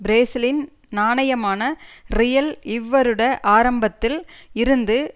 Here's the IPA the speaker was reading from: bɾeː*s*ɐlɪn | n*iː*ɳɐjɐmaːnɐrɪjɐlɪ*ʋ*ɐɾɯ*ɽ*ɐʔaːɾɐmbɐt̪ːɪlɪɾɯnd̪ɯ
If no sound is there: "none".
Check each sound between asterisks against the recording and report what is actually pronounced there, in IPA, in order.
s, aː, ʋː, ɽ

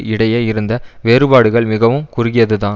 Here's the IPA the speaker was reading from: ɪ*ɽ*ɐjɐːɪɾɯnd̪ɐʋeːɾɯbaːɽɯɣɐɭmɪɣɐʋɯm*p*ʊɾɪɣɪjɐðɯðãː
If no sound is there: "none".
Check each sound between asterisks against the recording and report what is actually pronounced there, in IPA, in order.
ɽ, k

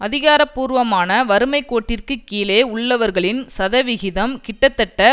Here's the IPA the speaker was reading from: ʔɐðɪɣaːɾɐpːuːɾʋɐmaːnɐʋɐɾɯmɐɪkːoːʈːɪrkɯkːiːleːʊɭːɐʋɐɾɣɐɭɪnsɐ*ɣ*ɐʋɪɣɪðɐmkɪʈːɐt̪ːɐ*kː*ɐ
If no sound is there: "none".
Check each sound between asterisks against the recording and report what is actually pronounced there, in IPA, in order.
ð, ʈː

